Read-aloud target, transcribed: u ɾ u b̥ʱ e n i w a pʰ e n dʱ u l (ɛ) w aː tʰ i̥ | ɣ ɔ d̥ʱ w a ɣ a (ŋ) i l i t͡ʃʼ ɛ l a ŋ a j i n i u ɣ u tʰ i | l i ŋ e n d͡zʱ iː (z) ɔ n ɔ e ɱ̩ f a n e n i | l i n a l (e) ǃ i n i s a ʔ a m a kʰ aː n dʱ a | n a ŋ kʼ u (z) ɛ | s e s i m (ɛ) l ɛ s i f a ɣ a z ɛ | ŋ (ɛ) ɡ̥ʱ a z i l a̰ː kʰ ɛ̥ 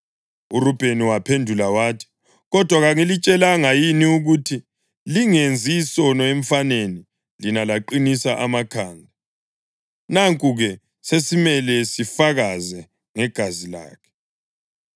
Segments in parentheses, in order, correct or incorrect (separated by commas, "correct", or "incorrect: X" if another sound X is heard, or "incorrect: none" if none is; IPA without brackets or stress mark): incorrect: a, correct, incorrect: s, incorrect: a, incorrect: ɣ, correct, correct